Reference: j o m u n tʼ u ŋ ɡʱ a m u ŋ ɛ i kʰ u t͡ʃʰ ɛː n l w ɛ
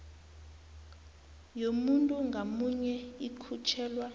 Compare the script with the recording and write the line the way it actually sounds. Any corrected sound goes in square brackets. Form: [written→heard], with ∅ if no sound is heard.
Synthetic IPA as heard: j o m u n tʼ u ŋ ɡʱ a m u [ŋ→ɲ] ɛ i kʰ u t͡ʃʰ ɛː [n→∅] l w [ɛ→a]